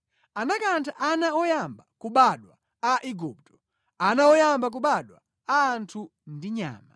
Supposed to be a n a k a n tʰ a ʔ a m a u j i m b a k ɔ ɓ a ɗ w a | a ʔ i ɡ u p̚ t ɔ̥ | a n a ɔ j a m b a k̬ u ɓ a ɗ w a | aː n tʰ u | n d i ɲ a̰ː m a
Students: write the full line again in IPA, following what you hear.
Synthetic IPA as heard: a n a k a n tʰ a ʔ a n a ɔ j a m b a k u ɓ a ɗ w a | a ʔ i ɡ u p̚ t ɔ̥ | a n a ɔ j a m b a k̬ u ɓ a ɗ w a | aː n tʰ u | n d i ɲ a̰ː m a

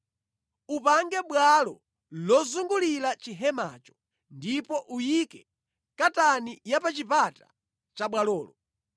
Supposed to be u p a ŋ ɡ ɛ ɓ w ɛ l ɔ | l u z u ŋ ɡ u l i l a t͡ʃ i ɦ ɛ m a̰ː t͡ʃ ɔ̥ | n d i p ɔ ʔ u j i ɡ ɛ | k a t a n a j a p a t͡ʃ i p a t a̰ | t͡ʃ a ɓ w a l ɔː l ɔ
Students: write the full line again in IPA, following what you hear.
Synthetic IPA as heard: u p a ŋ ɡ ɛ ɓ w a l ɔ | l ɔ z u ŋ ɡ u l i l a t͡ʃ i ɦ ɛ m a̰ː t͡ʃ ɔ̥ | n d i p ɔ ʔ u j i k ɛ | k a t a n i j a p a t͡ʃ i p a t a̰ | t͡ʃ a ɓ w a l ɔː l ɔ

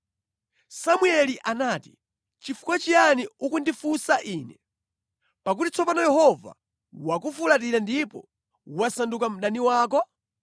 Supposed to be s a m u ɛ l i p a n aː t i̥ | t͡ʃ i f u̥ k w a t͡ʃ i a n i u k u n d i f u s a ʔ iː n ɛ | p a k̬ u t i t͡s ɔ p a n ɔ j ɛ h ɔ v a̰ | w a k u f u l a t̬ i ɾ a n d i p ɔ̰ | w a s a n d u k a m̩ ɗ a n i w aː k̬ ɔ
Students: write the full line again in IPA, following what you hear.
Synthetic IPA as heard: s a m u ɛ l i ʔ a n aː t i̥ | t͡ʃ i f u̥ k w a t͡ʃ i a n i u k u n d i f u s a ʔ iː n ɛ | p a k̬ u t i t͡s ɔ p a n ɔ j ɛ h ɔ v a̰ | w a k u f u l a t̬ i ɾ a n d i p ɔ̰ | w a s a n d u k a m̩ ɗ a n i w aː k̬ ɔ

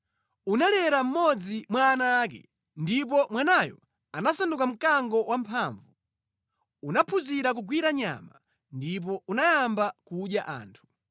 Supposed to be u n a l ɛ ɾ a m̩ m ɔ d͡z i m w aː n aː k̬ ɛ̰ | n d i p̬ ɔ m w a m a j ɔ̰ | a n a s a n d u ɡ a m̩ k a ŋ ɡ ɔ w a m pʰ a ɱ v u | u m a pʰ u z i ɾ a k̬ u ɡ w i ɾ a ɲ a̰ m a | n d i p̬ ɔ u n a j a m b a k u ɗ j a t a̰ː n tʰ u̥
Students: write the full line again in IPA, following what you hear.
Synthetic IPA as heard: u n a l ɛ ɾ a m̩ m ɔ d͡z i m w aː n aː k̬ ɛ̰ | n d i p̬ ɔ m w a n a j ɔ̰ | a n a s a n d u k a m̩ k a ŋ ɡ ɔ w a m pʰ a ɱ v u | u n a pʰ u z i ɾ a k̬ u ɡ w i ɾ a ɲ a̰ m a | n d i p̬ ɔ u n a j a m b a k u ɗ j a ʔ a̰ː n tʰ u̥

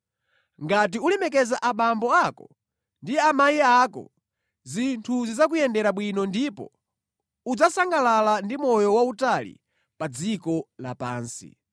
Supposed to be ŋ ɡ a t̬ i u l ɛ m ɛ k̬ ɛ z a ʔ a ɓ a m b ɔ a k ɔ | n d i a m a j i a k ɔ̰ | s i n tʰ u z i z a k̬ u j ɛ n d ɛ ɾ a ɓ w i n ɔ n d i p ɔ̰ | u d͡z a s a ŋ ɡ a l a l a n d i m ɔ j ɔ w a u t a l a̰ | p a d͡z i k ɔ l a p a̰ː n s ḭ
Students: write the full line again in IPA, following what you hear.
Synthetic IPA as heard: ŋ ɡ a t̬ i u l ɛ m ɛ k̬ ɛ z a ʔ a ɓ a m b ɔ a k ɔ | n d i a m a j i a k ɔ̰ | z i n tʰ u z i z a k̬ u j ɛ n d ɛ ɾ a ɓ w i n ɔ n d i p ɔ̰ | u d͡z a s a ŋ ɡ a l a l a n d i m ɔ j ɔ w a u t a l ḭ | p a d͡z i k ɔ l a p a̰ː n s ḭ

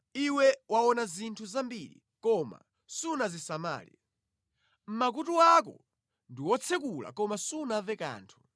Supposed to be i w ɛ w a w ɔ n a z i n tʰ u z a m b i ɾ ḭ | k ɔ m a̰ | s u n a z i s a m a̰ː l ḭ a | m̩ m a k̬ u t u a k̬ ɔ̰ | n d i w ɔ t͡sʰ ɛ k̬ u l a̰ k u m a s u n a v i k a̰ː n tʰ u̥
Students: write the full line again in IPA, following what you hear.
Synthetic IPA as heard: i w ɛ w a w ɔ n a z i n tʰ u z a m b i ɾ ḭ | k ɔ m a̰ | s u n a z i s a m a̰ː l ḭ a | m̩ m a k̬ u t u a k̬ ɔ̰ | n d i w ɔ t͡sʰ ɛ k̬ u l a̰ k ɔ m a s u n a v ɛ k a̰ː n tʰ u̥

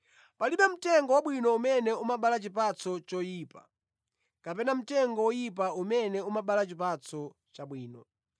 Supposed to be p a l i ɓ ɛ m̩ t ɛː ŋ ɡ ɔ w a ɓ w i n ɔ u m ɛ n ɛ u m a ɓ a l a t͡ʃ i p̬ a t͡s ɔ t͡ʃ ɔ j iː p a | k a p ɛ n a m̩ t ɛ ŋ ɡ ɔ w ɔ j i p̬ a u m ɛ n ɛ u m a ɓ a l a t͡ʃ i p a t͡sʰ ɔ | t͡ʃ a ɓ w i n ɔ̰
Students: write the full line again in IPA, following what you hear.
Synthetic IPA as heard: p a l i ɓ ɛ m̩ t ɛ ŋ ɡ ɔ w a ɓ w i n ɔ u m ɛ n ɛ u m a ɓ a l a t͡ʃ i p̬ a t͡s ɔ t͡ʃ ɔ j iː p a | k a p ɛ n a m̩ t ɛ ŋ ɡ ɔ w ɔ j i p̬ a u m ɛ n ɛ u m a ɓ a l a t͡ʃ i p a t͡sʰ ɔ | t͡ʃ a ɓ w iː n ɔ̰

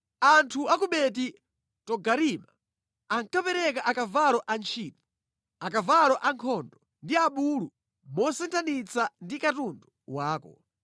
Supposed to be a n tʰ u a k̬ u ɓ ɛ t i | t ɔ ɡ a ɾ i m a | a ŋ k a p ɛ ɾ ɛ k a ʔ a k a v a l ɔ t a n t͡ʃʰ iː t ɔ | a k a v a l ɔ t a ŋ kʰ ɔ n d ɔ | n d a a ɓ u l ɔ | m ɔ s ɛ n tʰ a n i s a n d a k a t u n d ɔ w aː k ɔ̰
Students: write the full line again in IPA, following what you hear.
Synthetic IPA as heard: a n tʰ u a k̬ u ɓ ɛ t i | t ɔ ɡ a ɾ i m a | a ŋ k a p ɛ ɾ ɛ k a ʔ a k a v a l ɔ ʔ a n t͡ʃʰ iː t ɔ | a k a v a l ɔ ʔ a ŋ kʰ ɔ n d ɔ | n d i a ɓ u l u | m ɔ s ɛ n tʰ a n i t͡s a n d i k a t u n d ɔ w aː k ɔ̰

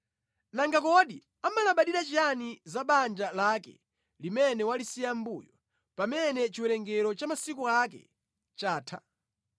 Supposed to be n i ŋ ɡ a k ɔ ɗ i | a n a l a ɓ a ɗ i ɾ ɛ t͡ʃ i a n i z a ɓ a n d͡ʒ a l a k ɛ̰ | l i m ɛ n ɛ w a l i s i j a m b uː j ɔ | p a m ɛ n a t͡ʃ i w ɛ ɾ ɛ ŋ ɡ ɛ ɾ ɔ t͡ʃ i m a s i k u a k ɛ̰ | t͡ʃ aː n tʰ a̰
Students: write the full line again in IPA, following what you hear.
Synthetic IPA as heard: n a ŋ ɡ a k ɔ ɗ i | a m a l a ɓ a ɗ i ɾ a t͡ʃ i a n i z a ɓ a n d͡ʒ a l a k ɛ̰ | l i m ɛ n ɛ w a l i s i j a m b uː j ɔ | p a m ɛ n ɛ t͡ʃ i w ɛ ɾ ɛ ŋ ɡ ɛ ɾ ɔ t͡ʃ a m a s i k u a k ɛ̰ | t͡ʃ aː tʰ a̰

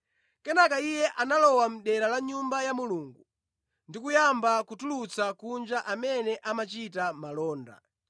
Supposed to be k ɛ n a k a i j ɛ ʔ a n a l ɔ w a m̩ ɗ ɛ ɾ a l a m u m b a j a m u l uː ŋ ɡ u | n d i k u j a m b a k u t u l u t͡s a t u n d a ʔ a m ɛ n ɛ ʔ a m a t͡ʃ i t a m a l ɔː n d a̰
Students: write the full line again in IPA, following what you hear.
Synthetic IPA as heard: k ɛ n a k a i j ɛ ʔ a n a l ɔ w a m̩ ɗ ɛ ɾ a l a ɲ u m b a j a m u l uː ŋ ɡ u | n d i k u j a m b a k u t u l u t͡s a k u n d͡ʒ a ʔ a m ɛ n ɛ ʔ a m a t͡ʃ i t a m a l ɔː n d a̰

